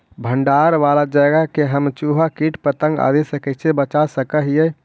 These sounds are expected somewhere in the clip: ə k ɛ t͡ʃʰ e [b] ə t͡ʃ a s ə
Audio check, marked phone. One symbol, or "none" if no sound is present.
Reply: b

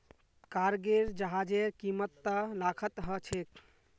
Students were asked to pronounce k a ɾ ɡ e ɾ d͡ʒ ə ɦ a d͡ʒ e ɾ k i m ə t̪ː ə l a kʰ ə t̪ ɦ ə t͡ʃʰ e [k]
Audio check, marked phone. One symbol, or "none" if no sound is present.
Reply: k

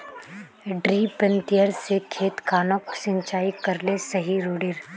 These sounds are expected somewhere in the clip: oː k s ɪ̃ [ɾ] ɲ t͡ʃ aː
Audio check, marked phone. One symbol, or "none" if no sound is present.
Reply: none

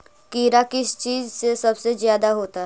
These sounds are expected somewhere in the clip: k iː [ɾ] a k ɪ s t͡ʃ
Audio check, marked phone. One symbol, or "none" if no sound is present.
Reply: ɾ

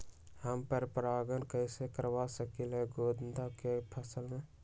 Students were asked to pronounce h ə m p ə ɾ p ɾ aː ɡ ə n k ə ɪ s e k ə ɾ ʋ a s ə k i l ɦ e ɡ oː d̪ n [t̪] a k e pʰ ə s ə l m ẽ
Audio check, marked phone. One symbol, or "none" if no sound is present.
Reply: d̪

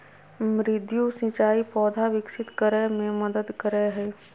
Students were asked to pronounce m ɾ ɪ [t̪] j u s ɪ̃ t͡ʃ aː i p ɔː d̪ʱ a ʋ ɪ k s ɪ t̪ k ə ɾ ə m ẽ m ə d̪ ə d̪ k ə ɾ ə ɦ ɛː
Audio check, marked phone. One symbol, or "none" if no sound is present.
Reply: d̪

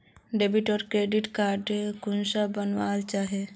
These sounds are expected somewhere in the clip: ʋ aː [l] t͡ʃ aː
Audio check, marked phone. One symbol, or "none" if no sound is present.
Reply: l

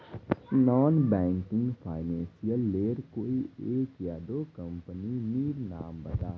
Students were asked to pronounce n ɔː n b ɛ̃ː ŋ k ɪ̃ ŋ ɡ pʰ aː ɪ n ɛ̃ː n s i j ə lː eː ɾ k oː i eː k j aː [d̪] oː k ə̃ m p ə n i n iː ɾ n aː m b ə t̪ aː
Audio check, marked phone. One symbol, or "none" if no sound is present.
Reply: d̪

